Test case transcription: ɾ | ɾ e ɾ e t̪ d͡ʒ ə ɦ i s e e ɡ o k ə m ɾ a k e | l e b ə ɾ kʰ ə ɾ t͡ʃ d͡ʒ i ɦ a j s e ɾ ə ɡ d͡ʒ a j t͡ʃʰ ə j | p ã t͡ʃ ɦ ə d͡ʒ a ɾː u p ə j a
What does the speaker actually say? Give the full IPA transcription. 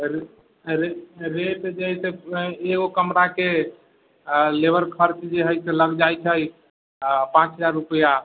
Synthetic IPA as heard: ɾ | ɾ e ɾ e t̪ d͡ʒ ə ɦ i s e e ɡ o k ə m ɾ a k e | l e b ə ɾ kʰ ə ɾ t͡ʃ d͡ʒ e ɦ ə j s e l ə ɡ d͡ʒ a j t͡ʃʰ ə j | p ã t͡ʃ ɦ ə d͡ʒ a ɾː u p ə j a